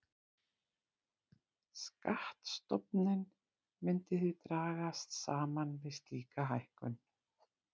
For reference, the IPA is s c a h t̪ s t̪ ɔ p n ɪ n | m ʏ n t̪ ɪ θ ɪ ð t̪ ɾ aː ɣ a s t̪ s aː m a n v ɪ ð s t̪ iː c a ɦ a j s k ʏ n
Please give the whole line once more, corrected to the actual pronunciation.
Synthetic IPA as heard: s k a h t̪ s t̪ ɔ p n ɪ n | m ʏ n t̪ ɪ θ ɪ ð t̪ ɾ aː ɣ a s t̪ s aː m a n v ɪ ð s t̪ iː k a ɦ a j h k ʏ n